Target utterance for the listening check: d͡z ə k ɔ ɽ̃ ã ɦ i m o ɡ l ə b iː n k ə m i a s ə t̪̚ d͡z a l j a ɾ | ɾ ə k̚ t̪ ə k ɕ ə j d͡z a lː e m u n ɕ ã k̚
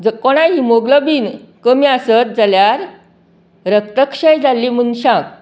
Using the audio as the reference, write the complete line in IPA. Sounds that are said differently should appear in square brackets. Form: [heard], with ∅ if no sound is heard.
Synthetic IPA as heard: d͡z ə k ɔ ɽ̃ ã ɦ i m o ɡ l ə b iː n k ə m i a s ə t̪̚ d͡z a l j a ɾ | ɾ ə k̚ t̪ ə k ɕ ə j d͡z a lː [i] m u n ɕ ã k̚

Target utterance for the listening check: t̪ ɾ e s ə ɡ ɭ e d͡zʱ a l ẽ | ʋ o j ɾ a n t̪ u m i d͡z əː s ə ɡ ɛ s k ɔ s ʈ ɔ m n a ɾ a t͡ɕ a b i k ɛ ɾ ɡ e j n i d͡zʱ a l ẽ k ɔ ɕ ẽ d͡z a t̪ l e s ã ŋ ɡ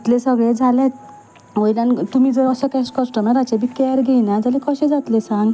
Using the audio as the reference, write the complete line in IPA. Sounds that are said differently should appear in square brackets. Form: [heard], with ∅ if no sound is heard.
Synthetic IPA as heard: t̪ [l] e s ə ɡ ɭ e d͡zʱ a l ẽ | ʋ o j [l] a n t̪ u m i d͡z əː s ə [k] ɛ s k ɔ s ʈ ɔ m n a ɾ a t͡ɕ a b i k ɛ ɾ ɡ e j n [a] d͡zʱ a l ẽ k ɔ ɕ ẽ d͡z a t̪ l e s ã ŋ ɡ

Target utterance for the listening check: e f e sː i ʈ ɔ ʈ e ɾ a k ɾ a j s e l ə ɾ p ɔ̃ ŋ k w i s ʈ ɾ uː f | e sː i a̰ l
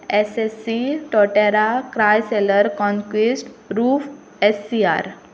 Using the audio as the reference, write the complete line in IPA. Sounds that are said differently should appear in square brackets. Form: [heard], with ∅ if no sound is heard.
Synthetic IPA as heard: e [s] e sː i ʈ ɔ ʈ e ɾ a k ɾ a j s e l ə ɾ [k] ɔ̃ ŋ k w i s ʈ ɾ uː f | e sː i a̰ [ɾ]

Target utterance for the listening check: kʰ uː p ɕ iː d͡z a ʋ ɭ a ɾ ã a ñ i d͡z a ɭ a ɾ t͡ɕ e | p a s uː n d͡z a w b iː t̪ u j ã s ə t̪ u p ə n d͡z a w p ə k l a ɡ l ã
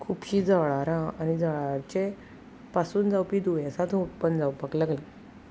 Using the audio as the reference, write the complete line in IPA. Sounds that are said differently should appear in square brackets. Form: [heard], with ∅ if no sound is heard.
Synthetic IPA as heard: kʰ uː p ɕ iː d͡z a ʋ ɭ a ɾ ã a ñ i d͡z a ɭ a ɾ t͡ɕ e | p a s uː n d͡z a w [p] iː [d̪] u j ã s [a] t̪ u p ə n d͡z a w p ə k l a ɡ l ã

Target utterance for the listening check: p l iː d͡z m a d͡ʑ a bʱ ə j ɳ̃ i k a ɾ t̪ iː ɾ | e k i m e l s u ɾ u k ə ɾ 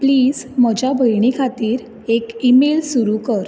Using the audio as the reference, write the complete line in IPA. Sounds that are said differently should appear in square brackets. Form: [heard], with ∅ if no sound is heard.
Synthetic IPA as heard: p l iː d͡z m [ə] d͡ʑ a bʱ ə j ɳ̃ i [kʰ] a [∅] t̪ iː ɾ | e k i m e l s u ɾ u k ə ɾ

